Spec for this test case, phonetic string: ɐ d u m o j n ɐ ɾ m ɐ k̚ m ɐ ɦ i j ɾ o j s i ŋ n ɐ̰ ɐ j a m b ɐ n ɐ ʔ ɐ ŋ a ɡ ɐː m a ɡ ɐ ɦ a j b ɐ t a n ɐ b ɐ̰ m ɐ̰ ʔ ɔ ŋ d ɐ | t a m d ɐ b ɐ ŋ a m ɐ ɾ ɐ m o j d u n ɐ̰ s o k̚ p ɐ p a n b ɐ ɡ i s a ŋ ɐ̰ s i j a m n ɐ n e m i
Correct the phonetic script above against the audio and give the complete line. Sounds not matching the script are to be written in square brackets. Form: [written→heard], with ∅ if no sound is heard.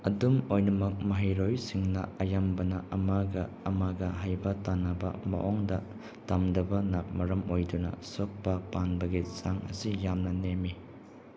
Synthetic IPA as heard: ɐ d u m o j n ɐ [ɾ→∅] m ɐ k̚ m ɐ ɦ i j ɾ o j s i ŋ n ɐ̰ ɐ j a m b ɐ n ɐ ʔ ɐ [ŋ→m] a ɡ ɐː m a ɡ ɐ ɦ a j b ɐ t a n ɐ b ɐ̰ m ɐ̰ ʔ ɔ ŋ d ɐ | t a m d ɐ b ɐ [ŋ→n] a m ɐ ɾ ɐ m o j d u n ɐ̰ s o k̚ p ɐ p a n b ɐ ɡ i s a ŋ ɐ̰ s i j a m n ɐ n e m i